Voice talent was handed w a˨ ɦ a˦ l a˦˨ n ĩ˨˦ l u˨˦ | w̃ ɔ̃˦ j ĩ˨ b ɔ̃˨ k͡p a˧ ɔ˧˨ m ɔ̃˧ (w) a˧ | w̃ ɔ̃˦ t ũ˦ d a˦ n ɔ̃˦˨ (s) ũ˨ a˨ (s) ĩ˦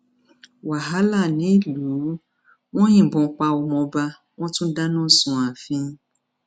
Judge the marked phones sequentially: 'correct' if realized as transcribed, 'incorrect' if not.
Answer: incorrect, correct, incorrect

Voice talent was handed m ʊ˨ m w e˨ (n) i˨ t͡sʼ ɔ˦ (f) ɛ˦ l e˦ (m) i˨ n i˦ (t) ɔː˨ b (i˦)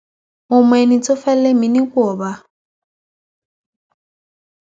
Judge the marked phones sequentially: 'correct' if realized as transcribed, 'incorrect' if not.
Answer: correct, correct, correct, incorrect, incorrect

